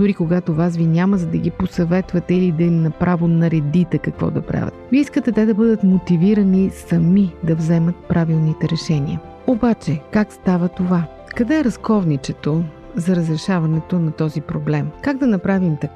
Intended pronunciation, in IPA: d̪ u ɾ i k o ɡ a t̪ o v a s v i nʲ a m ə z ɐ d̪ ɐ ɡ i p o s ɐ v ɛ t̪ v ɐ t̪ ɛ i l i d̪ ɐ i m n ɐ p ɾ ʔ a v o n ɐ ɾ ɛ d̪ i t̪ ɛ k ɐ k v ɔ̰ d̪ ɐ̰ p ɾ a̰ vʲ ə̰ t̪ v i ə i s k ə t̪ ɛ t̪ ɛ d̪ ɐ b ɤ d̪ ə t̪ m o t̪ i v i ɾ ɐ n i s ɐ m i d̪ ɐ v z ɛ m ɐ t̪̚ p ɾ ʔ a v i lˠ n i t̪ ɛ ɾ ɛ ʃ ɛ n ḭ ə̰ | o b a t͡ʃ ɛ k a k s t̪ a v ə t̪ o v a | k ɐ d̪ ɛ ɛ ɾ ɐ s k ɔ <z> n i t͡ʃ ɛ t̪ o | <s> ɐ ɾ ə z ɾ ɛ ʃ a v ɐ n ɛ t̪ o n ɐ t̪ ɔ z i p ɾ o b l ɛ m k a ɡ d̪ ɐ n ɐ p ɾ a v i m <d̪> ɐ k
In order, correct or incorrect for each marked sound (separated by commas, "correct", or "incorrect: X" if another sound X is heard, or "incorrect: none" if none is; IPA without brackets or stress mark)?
incorrect: v, incorrect: z, incorrect: t̪